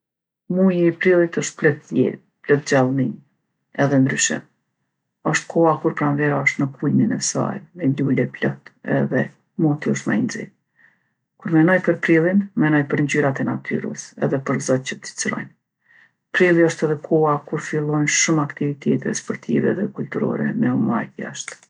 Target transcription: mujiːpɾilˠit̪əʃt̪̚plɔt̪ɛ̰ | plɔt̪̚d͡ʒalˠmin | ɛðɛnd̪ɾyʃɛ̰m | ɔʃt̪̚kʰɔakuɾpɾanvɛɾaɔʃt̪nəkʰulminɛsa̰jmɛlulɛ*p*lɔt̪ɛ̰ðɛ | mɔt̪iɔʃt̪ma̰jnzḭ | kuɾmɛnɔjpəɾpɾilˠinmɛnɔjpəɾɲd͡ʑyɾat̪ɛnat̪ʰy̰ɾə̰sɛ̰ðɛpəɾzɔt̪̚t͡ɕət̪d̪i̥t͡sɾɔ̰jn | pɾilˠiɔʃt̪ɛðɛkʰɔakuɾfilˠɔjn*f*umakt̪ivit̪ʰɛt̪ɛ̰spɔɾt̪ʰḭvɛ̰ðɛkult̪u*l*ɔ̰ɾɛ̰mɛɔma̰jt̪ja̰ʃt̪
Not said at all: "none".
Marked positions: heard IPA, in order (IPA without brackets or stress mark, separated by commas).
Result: p, ʃ, ɾ